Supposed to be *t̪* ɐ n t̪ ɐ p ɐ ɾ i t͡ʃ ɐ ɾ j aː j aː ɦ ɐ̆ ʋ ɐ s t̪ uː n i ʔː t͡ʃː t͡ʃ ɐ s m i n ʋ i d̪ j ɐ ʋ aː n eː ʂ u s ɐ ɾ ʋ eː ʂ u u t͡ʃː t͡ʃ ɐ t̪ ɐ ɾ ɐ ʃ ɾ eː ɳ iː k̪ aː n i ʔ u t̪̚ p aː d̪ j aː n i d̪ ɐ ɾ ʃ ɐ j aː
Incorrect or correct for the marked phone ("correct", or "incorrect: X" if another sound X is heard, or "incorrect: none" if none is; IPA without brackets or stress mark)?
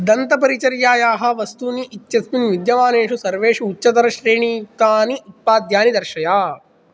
incorrect: d̪